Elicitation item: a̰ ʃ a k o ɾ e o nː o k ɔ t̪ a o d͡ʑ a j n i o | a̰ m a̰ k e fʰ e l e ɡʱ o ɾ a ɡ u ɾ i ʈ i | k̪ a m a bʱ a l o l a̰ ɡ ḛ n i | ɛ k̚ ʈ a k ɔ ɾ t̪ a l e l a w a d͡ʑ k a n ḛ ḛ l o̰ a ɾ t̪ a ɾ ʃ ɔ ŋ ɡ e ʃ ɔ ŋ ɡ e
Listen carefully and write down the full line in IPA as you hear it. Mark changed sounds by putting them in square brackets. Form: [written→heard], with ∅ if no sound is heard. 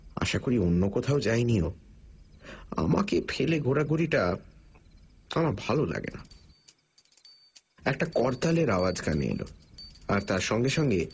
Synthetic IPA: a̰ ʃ a k o ɾ [e→i] o nː o k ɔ [t̪→t̪ʰ] a o d͡ʑ a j n i o | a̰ m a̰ k e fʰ e l e ɡʱ o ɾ a ɡ u ɾ i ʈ [i→a] | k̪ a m a bʱ a l o l a̰ ɡ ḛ n [i→a] | ɛ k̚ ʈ a k ɔ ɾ t̪ a l e [l→ɾ] a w a d͡ʑ k a n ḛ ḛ l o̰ a ɾ t̪ a ɾ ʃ ɔ ŋ ɡ e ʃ ɔ ŋ ɡ e